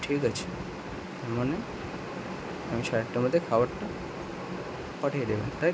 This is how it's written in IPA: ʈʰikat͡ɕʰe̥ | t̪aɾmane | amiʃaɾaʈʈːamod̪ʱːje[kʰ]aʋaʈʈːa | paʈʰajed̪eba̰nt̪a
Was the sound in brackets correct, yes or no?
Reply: yes